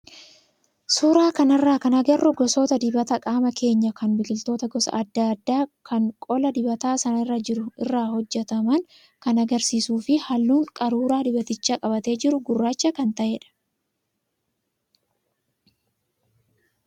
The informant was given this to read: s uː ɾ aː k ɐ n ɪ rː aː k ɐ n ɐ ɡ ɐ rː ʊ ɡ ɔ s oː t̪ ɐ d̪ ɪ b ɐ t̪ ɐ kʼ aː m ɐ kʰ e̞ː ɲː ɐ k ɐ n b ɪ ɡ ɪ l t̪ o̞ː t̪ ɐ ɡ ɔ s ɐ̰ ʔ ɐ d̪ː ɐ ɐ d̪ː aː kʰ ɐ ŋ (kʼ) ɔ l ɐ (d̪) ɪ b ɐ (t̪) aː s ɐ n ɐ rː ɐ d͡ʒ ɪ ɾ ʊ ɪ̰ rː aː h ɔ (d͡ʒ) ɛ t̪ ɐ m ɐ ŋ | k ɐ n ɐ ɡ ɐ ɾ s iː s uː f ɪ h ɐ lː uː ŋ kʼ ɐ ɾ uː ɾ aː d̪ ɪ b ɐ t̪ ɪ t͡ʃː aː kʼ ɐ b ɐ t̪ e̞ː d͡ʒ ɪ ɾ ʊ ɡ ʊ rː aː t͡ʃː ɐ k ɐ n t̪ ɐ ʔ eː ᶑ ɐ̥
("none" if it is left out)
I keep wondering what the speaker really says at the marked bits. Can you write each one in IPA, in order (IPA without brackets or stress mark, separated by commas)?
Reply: kʼ, d̪, t̪, d͡ʒː